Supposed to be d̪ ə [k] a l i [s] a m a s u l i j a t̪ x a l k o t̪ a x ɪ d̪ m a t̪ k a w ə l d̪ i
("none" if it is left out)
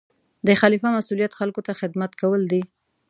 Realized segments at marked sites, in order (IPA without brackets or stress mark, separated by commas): x, f